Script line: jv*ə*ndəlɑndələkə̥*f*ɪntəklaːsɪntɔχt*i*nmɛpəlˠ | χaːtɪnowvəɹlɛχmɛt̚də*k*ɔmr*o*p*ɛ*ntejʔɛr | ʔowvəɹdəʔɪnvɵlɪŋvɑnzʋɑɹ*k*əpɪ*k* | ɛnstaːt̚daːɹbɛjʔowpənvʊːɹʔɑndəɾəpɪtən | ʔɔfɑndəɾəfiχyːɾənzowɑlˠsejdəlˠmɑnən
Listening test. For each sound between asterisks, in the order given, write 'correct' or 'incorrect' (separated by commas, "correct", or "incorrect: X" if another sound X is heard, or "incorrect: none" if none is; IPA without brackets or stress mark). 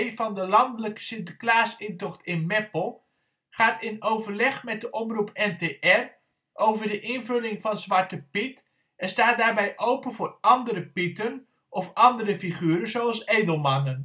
incorrect: ɑ, incorrect: s, incorrect: ɪ, incorrect: ʔ, incorrect: u, correct, incorrect: t, incorrect: t